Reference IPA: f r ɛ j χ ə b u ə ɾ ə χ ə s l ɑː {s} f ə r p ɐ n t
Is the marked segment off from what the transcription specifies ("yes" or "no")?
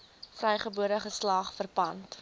yes